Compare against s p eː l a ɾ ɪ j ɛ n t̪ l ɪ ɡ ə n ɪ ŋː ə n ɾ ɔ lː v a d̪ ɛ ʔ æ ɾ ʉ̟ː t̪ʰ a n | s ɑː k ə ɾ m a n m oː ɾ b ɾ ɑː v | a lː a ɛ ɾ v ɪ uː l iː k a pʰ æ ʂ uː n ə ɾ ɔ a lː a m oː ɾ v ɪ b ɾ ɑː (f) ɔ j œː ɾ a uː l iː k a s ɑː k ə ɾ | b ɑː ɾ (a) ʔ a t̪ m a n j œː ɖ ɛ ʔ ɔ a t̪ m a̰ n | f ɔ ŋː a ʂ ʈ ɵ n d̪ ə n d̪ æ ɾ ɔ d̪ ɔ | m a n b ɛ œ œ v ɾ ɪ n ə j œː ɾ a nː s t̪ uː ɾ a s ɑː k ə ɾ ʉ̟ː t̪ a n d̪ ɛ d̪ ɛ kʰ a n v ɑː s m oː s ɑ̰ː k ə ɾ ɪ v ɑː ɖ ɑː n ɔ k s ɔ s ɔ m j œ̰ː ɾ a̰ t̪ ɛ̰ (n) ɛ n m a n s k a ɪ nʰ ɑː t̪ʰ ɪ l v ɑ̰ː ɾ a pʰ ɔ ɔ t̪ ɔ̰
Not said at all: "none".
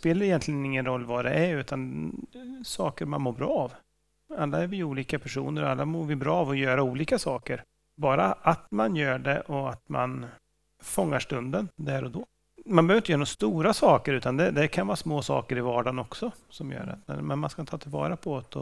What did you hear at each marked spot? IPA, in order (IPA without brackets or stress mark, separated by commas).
v, a, m